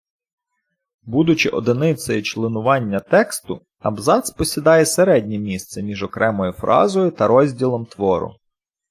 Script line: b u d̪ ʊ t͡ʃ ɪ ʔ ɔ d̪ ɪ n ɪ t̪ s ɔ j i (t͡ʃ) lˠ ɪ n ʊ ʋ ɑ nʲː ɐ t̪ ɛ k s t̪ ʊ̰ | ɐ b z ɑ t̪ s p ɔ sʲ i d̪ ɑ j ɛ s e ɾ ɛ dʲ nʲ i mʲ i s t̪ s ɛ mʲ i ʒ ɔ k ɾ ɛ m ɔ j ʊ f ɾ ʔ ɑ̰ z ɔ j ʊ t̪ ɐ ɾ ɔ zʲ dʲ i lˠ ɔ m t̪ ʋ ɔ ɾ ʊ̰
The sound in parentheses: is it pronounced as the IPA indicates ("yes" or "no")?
yes